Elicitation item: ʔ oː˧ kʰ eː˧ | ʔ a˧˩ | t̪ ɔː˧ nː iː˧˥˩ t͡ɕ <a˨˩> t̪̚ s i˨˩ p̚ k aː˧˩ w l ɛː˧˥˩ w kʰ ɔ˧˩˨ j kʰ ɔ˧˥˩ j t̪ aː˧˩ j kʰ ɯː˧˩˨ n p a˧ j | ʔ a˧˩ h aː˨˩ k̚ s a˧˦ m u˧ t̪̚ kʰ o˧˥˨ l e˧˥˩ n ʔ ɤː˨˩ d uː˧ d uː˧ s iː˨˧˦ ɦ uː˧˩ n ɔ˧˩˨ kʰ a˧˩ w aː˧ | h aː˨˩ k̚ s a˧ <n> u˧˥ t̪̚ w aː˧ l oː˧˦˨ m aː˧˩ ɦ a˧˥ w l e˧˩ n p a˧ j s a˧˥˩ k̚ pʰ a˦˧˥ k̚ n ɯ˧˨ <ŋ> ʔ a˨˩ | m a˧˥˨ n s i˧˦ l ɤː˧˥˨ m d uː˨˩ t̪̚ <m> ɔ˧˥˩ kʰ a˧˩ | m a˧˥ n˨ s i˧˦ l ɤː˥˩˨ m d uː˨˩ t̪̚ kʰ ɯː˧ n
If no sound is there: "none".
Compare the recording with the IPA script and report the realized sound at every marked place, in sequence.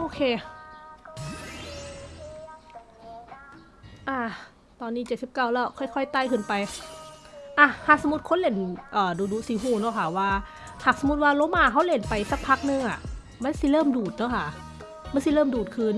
e˨˩, m, ŋ, n

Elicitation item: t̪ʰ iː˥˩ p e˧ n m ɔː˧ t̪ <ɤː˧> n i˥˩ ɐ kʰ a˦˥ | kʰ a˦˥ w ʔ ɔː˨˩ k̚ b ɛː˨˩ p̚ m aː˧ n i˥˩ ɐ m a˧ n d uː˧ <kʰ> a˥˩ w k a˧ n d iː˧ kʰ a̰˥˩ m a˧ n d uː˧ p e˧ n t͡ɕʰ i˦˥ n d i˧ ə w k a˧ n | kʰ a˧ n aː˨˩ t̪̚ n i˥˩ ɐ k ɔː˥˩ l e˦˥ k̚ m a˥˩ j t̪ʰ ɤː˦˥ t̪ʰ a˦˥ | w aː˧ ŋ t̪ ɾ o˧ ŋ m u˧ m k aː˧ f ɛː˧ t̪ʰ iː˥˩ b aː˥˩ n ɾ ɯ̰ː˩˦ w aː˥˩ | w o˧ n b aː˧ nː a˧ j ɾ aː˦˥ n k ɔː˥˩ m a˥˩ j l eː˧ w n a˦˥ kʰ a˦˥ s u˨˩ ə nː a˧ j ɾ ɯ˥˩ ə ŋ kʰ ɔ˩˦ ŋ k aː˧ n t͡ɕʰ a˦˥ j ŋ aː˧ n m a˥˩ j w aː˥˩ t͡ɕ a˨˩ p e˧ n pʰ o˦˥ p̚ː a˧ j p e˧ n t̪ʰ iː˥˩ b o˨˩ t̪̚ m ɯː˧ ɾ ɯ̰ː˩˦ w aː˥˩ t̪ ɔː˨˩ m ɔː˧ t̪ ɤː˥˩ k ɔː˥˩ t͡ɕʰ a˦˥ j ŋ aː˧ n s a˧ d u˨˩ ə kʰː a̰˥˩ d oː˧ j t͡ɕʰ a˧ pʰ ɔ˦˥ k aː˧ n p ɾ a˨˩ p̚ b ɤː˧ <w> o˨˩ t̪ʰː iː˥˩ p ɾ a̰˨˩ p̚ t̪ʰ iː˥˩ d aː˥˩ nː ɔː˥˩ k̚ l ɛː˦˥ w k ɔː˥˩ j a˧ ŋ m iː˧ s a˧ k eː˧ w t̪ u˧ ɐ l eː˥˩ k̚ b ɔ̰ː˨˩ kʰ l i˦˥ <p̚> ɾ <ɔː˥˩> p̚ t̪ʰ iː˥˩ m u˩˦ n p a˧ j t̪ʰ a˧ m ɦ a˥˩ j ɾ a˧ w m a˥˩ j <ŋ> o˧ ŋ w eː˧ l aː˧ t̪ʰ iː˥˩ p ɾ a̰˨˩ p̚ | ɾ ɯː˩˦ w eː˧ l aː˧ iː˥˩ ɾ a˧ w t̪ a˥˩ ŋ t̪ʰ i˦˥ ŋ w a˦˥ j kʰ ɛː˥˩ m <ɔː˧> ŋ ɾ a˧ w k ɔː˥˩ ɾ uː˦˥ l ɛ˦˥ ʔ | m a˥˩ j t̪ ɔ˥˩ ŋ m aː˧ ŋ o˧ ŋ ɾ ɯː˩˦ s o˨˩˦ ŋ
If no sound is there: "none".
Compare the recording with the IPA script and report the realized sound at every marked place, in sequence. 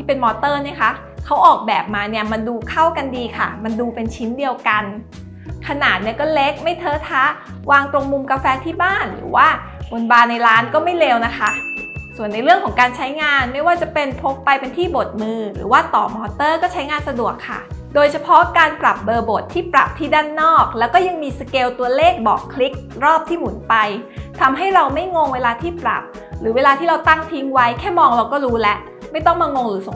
ɤː˥˩, kʰ, b, k̚, ɔː˥˩, ŋ, ɔː˧

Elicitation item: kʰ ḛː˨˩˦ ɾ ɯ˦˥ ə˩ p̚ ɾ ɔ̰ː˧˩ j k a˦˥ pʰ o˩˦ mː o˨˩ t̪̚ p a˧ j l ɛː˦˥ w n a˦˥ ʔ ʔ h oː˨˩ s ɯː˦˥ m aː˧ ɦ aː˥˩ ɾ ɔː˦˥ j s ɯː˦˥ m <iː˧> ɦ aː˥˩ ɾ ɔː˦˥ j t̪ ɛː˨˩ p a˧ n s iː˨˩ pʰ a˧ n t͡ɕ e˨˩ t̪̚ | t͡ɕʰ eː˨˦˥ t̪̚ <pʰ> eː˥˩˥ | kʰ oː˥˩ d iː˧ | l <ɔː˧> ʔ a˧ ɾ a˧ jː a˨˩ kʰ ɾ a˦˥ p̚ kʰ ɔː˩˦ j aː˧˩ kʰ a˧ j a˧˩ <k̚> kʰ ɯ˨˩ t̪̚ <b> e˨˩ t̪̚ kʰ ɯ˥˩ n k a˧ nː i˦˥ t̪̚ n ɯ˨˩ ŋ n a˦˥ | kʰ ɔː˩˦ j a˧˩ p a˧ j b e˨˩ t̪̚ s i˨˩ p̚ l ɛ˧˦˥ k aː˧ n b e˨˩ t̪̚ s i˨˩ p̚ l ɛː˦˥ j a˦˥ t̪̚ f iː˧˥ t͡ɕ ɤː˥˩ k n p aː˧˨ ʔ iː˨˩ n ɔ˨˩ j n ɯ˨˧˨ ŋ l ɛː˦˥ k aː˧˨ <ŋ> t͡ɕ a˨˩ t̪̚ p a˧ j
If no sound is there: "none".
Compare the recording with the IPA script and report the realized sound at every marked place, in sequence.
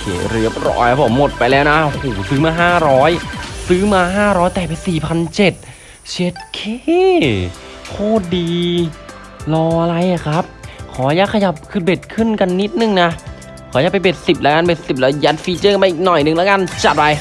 aː˧, kʰ, ɔː˧, p̚, b, n

